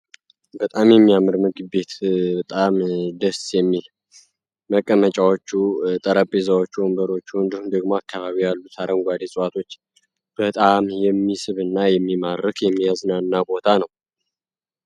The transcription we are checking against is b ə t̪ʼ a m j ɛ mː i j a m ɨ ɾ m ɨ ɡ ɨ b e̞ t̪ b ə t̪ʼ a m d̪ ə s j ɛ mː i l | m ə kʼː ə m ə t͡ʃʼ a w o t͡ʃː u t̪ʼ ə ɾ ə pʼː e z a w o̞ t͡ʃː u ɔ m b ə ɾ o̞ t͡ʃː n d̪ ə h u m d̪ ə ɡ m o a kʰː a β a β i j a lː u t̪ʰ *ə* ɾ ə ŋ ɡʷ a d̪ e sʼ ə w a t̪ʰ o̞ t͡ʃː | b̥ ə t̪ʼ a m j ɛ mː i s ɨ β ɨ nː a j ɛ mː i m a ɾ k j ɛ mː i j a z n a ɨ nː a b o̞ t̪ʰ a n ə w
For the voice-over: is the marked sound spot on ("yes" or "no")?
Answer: no